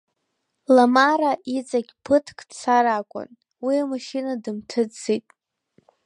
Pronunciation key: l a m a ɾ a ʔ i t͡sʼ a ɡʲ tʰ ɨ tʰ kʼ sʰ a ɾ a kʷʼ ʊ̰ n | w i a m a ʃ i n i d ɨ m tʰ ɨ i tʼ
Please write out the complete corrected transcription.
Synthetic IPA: l a m a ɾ a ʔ i t͡sʼ a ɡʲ pʰ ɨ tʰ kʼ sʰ a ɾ a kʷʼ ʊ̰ n | w i a m a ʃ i n a d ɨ m tʰ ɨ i tʼ